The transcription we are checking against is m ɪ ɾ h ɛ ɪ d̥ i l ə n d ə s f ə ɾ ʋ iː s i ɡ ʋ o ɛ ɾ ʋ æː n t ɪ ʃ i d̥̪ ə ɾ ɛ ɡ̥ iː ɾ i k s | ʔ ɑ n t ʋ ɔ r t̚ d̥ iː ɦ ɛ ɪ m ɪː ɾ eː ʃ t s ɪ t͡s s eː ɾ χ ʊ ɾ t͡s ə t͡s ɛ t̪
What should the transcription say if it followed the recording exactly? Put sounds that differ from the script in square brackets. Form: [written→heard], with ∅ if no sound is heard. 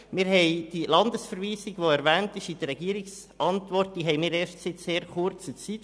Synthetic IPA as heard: m ɪ ɾ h ɛ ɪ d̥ i l [ə→ɑ] n d ə s f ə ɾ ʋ iː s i ɡ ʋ o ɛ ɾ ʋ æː n t ɪ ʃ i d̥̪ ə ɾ ɛ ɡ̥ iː ɾ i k s | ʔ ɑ n t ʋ ɔ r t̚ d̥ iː ɦ ɛ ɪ m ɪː ɾ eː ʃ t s ɪ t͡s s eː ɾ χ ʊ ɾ t͡s ə t͡s [ɛ→i] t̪